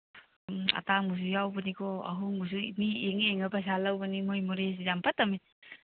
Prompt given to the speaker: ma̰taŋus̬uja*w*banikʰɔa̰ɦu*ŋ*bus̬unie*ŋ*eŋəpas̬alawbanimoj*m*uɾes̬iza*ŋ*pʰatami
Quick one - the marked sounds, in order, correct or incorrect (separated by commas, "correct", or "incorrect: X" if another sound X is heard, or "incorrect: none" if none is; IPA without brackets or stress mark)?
correct, correct, correct, correct, incorrect: m